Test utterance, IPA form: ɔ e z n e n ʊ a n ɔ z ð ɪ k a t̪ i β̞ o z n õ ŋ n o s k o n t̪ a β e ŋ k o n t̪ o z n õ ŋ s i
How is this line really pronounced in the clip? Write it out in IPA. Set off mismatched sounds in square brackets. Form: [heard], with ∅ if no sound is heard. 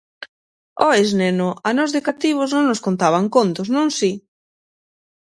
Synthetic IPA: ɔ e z n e n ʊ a n ɔ z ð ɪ k a t̪ i β̞ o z n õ ŋ n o s k o n t̪ a β [a] ŋ k o n t̪ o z n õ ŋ s i

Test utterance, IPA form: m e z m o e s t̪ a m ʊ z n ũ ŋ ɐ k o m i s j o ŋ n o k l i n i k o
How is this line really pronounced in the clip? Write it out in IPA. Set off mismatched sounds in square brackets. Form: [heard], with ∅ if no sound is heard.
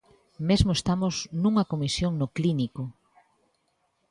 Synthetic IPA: m e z m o e s t̪ a m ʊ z n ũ ŋ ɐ k o m i s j o ŋ n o k l i n i k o

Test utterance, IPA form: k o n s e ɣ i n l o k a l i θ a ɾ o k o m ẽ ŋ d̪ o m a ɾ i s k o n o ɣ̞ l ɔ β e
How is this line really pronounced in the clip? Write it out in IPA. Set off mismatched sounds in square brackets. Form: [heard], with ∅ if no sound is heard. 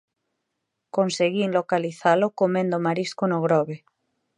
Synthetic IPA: k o n s e ɣ i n l o k a l i θ a [l] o k o m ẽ [n] d̪ o m a ɾ i s k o n o ɣ̞ [ɾ] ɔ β e

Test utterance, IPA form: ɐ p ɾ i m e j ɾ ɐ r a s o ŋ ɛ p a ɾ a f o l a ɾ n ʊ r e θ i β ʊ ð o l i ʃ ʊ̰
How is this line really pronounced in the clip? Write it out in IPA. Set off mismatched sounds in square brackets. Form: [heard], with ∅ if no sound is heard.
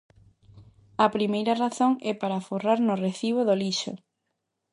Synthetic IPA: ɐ p ɾ i m e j ɾ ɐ r a [θ] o ŋ ɛ p a ɾ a f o [r] a ɾ n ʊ r e θ i β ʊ ð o l i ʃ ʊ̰

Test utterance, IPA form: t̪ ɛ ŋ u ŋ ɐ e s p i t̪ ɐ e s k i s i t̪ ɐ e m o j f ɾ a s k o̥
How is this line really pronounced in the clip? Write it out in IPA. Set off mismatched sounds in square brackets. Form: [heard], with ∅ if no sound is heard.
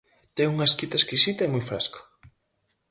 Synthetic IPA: t̪ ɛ ŋ u ŋ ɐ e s [k] i t̪ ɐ e s k i s i t̪ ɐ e m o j f ɾ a s k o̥

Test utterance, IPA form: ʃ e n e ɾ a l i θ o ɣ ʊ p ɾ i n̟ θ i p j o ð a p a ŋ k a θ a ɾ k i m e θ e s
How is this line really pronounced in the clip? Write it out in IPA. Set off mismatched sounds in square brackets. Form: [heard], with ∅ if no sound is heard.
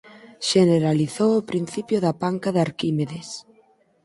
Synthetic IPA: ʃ e n e ɾ a l i θ o [w] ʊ p ɾ i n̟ θ i p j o ð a p a ŋ k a [ð] a ɾ k i m e [ð] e s

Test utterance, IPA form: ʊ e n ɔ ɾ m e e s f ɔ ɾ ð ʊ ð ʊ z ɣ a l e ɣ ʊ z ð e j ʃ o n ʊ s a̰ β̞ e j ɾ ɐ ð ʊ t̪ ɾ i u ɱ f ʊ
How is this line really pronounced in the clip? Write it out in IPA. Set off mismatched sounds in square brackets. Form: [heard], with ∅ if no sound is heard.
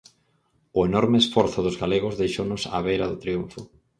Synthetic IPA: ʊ e n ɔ ɾ m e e s f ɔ ɾ [θ] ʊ ð ʊ z ɣ a l e ɣ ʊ z ð e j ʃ o n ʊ s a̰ β̞ e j ɾ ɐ ð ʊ t̪ ɾ i u ɱ f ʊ

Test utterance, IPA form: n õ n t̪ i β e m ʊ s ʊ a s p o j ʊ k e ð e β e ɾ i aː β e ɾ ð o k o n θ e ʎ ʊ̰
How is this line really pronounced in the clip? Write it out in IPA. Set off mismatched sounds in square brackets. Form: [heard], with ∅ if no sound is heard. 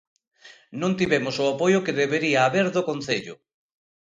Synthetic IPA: n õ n t̪ i β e m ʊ s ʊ a [∅] p o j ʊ k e ð e β e ɾ i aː β e ɾ ð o k o n θ e ʎ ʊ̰

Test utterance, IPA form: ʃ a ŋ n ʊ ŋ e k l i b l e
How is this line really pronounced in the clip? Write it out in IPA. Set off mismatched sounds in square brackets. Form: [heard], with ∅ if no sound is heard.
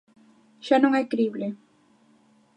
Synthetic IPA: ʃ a [∅] n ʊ ŋ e k [ɾ] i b l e

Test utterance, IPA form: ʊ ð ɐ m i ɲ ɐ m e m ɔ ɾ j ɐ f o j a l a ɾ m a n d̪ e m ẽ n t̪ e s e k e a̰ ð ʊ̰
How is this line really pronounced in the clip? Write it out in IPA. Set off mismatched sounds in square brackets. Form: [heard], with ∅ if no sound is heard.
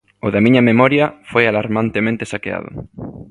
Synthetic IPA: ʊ ð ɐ m i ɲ ɐ m e m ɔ ɾ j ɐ f o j a l a ɾ m a n [t̪] e m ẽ n t̪ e s [a] k e a̰ ð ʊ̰

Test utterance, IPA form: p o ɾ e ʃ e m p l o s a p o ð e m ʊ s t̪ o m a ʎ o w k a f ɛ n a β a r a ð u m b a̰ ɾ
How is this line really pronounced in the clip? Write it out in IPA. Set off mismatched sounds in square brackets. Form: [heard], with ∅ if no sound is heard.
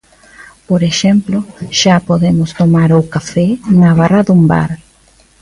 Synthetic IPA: p o ɾ e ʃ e m p l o [ʃ] a p o ð e m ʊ s t̪ o m a [ɾ] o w k a f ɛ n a β a r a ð u m b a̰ ɾ

